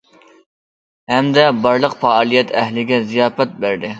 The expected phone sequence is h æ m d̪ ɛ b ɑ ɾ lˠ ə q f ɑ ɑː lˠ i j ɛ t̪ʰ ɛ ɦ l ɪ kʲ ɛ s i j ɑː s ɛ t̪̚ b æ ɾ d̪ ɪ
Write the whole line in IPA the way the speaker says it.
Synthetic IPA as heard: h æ m d̪ ɛ b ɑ ɾ lˠ ə q f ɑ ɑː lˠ i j ɛ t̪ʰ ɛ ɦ l ɪ ɡʲ ɛ z i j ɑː f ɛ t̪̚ b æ ɾ d̪ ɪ